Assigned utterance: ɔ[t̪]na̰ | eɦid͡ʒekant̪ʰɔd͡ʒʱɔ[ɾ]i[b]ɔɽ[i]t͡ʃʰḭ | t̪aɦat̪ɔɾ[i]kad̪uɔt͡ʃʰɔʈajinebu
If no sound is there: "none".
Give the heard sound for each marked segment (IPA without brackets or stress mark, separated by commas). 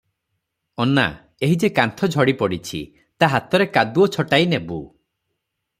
none, ɽ, p, i, e